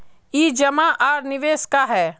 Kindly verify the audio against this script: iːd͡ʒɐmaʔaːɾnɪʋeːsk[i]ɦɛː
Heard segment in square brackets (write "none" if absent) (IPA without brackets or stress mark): a